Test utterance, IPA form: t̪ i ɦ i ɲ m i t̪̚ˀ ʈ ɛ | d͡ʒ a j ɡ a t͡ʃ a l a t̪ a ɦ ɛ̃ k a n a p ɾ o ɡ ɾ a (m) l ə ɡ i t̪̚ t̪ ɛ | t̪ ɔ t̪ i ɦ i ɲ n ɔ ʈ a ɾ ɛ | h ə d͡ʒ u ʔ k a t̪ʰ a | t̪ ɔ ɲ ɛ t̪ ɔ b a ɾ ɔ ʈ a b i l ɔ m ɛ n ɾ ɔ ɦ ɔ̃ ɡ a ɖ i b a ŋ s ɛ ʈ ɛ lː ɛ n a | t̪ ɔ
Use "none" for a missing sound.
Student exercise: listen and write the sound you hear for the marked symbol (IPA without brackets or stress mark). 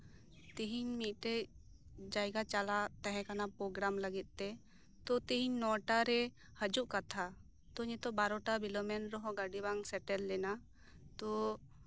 m